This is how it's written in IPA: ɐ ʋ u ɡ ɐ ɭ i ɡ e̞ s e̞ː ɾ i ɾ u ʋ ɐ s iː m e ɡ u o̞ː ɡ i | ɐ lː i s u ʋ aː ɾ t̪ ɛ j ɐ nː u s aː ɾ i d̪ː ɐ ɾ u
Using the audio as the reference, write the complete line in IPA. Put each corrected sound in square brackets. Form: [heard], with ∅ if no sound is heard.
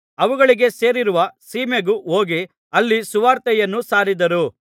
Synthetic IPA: ɐ ʋ u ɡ ɐ ɭ i ɡ e̞ s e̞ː ɾ i ɾ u ʋ ɐ s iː m e ɡ u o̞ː ɡ i | ɐ lː i s u ʋ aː ɾ t̪ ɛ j ɐ nː u s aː ɾ i [d̪] ɐ ɾ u